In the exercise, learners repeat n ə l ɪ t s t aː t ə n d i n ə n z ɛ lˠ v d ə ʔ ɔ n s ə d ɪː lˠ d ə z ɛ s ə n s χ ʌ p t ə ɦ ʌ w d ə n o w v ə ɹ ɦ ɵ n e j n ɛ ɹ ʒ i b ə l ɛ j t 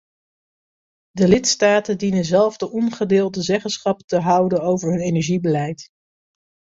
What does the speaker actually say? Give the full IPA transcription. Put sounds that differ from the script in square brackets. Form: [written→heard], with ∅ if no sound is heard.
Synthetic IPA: [n→d] ə l ɪ t s t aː t ə n d i n ə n z ɛ lˠ v d ə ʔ ɔ n [s→χ] ə d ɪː lˠ d ə z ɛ [s→χ] ə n s χ [ʌ→ɑ] p t ə ɦ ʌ w d ə n o w v ə ɹ ɦ ɵ n e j n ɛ ɹ ʒ i b ə l ɛ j t

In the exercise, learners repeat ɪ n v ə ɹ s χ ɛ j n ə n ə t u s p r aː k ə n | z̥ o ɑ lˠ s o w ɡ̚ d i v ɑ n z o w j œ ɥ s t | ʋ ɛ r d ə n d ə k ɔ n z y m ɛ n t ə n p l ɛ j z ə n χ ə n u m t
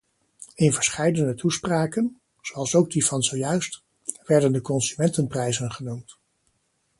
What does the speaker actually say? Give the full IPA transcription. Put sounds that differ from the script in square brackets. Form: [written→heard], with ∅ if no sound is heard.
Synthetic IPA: ɪ n v ə ɹ s χ ɛ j [n→d] ə n ə t u s p r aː k ə n | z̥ o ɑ lˠ s o w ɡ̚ d i v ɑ n z o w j œ ɥ s t | ʋ ɛ [r→ɹ] d ə n d ə k ɔ n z y m ɛ n t ə n p [l→r] ɛ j z ə n χ ə n u m t

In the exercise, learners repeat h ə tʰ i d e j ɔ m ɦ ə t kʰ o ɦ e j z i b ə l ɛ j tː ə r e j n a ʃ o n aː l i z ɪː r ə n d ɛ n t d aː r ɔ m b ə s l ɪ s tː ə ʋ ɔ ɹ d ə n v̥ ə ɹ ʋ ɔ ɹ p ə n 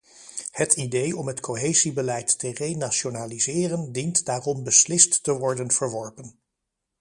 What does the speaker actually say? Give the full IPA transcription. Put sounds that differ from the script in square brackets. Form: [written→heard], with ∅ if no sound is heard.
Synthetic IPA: h ə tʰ i d e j ɔ m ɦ ə t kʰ o ɦ e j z i b ə l ɛ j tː ə r e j n a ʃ o n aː l i z ɪː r ə n d [ɛ→i] n t d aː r ɔ m b ə s l ɪ s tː ə ʋ ɔ ɹ d ə n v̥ ə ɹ ʋ ɔ ɹ p ə n

